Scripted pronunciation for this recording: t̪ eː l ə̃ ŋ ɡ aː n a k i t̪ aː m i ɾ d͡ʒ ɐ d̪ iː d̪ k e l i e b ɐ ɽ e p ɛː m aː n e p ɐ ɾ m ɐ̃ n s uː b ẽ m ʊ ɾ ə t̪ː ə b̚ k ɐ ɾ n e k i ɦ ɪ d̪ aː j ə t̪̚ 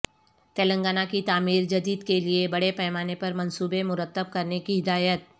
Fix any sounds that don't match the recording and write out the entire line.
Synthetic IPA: t̪ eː l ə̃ ŋ ɡ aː n a k i t̪ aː m iː ɾ d͡ʒ ɐ d̪ iː d̪ k e l i e b ɐ ɽ e p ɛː m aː n e p ɐ ɾ m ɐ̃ n s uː b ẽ m ʊ ɾ ə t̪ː ə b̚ k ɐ ɾ n e k i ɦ ɪ d̪ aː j ə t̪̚